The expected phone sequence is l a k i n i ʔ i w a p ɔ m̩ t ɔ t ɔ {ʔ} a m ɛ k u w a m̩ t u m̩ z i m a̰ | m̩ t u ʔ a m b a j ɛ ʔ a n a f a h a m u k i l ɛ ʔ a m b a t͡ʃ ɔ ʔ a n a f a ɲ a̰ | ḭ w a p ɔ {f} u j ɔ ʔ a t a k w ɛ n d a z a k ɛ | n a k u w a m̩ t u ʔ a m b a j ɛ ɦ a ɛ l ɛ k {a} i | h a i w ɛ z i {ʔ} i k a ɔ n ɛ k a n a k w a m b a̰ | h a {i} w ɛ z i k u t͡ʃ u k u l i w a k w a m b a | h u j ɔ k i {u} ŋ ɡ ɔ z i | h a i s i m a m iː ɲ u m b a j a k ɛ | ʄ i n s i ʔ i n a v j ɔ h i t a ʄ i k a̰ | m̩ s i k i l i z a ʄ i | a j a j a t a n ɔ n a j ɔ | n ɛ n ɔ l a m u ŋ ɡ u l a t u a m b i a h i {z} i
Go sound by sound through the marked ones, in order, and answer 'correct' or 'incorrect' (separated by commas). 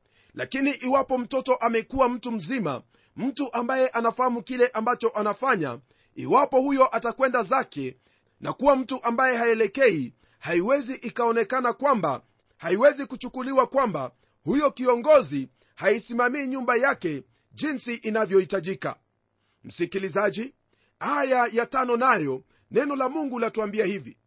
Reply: correct, incorrect, incorrect, correct, correct, incorrect, incorrect